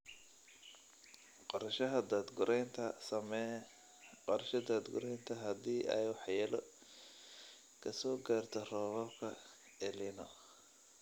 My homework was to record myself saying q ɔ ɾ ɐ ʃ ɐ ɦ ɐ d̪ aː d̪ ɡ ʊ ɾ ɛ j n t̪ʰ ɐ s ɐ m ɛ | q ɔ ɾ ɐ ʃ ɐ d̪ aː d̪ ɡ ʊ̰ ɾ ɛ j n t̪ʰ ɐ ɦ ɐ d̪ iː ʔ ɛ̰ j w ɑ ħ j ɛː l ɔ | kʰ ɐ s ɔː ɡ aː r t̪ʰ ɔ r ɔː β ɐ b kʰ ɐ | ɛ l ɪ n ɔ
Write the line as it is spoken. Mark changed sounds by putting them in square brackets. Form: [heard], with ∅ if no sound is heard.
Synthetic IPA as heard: q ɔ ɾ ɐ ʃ ɐ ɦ ɐ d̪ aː d̪ ɡ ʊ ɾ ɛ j n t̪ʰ ɐ s ɐ m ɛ | q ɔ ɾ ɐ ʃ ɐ d̪ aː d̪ ɡ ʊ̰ ɾ ɛ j n t̪ʰ ɐ ɦ ɐ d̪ iː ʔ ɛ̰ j w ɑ ħ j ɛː l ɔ | kʰ ɐ s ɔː ɡ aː r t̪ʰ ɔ r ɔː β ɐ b kʰ ɐ | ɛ l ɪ n ɔ